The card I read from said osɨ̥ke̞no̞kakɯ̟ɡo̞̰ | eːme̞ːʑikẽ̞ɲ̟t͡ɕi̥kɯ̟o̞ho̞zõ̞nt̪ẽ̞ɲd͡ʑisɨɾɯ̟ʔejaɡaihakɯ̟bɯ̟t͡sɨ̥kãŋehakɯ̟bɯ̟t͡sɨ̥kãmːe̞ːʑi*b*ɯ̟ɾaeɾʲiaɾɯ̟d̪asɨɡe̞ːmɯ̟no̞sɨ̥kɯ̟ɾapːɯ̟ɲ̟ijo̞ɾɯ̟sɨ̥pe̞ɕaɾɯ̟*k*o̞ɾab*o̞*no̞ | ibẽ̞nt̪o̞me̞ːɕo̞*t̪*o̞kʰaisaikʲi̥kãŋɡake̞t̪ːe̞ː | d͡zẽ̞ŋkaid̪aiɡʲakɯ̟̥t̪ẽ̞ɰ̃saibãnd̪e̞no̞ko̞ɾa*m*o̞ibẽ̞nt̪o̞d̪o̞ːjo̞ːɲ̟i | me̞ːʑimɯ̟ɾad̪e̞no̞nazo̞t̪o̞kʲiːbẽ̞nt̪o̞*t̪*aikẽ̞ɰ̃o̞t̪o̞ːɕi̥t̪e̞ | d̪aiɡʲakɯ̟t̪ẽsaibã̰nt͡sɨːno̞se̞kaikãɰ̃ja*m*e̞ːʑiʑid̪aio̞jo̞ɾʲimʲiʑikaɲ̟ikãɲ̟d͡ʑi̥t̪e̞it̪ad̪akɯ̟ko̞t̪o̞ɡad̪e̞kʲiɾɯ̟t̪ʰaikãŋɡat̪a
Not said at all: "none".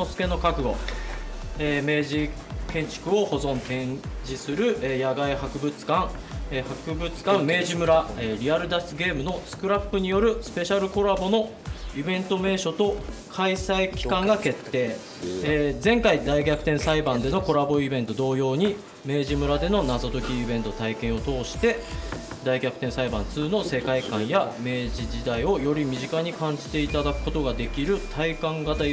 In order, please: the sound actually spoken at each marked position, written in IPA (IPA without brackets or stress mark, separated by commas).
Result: m, k, o̞, t̪, b, t̪, m